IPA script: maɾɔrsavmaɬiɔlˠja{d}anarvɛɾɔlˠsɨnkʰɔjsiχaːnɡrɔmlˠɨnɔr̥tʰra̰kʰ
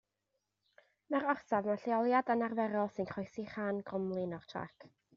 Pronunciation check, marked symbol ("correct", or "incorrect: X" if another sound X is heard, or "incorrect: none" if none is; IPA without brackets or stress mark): correct